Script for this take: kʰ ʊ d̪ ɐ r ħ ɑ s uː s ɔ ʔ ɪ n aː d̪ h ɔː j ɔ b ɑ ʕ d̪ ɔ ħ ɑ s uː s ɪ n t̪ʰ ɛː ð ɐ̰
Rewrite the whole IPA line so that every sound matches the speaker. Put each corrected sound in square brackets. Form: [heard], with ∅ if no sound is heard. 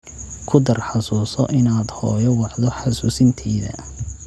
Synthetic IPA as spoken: kʰ ʊ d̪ ɐ r ħ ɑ s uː s ɔ ʔ ɪ n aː d̪ h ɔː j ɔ [w] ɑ ʕ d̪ ɔ ħ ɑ s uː s ɪ n t̪ʰ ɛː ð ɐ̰

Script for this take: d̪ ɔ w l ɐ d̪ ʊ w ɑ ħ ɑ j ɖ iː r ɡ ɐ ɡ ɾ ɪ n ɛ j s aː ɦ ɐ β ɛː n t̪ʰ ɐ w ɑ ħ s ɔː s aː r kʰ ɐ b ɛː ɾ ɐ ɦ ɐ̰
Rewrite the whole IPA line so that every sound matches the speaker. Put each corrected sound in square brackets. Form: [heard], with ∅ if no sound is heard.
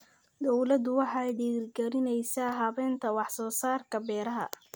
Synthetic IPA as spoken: d̪ ɔ w l ɐ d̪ ʊ w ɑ ħ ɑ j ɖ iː r ɡ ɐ [∅] ɾ ɪ n ɛ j s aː ɦ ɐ β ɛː n t̪ʰ ɐ w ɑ ħ s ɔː s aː r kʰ ɐ b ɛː ɾ ɐ ɦ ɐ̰

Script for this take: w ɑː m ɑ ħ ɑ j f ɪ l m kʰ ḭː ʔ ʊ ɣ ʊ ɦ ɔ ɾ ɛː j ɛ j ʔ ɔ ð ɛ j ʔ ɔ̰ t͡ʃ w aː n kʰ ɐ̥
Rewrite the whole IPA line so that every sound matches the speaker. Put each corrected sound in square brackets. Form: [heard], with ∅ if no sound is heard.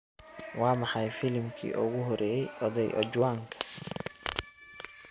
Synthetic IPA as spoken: w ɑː m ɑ ħ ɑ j f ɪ l m kʰ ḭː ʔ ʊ ɣ ʊ ɦ ɔ ɾ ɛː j ɛ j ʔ ɔ ð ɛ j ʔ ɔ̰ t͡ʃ w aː [ŋ] kʰ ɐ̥

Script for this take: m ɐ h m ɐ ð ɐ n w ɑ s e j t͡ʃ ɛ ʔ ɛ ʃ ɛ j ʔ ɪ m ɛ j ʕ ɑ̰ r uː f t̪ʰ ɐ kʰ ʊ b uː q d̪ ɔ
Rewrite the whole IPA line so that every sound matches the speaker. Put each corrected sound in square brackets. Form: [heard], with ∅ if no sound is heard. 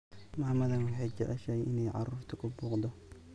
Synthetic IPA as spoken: m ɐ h m ɐ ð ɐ n w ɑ [ħ] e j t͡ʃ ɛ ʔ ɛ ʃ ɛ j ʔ ɪ [n] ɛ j ʕ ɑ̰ r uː f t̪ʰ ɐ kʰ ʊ b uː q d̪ ɔ

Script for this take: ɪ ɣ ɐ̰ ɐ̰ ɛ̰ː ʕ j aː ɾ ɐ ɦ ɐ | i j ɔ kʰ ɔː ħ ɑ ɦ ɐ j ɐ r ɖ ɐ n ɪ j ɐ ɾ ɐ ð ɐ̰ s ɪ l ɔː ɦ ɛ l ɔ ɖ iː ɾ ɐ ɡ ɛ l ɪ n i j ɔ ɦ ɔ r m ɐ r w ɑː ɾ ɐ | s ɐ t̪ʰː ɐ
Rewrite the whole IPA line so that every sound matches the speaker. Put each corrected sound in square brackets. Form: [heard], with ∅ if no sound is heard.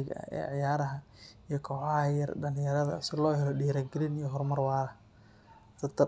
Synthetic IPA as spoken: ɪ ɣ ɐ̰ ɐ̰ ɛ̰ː ʕ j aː ɾ ɐ ɦ ɐ | i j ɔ kʰ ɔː ħ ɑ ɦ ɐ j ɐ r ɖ ɐ n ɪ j ɐ ɾ ɐ ð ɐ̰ s ɪ l ɔː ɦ ɛ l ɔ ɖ iː ɾ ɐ ɡ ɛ l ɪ n i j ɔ ɦ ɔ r m ɐ r w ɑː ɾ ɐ | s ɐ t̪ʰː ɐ

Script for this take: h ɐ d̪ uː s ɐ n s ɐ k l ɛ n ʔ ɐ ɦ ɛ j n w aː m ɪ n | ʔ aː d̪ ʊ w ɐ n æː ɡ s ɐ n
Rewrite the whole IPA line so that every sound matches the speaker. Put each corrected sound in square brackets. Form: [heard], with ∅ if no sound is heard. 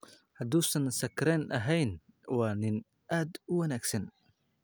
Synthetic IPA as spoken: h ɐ d̪ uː s ɐ n s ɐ k [ɾ] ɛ n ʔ ɐ ɦ ɛ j n w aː [n] ɪ n | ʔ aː d̪ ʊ w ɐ n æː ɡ s ɐ n

